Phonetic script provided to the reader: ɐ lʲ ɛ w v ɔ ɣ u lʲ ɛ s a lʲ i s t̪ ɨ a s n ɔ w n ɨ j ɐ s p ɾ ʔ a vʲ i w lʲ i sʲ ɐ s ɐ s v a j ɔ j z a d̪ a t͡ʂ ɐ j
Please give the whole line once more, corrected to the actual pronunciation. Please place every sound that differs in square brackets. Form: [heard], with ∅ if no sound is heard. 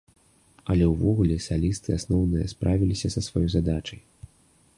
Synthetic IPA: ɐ lʲ ɛ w v ɔ ɣ u lʲ ɛ s a lʲ i s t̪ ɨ a s n ɔ w n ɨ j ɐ s p ɾ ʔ a vʲ i [∅] lʲ i sʲ ɐ s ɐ s v a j ɔ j z a d̪ a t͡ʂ ɐ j